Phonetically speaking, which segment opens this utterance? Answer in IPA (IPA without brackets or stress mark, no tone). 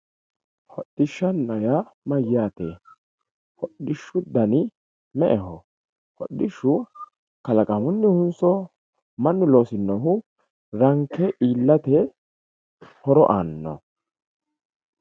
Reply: h